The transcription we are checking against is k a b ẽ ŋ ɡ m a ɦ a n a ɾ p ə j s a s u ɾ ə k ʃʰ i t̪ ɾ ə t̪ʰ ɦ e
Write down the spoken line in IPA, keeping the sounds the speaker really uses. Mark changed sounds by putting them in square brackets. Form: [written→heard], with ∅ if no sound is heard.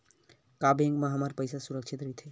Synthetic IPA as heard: k a b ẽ ŋ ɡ m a ɦ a [n→m] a ɾ p ə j s a s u ɾ ə k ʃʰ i t̪ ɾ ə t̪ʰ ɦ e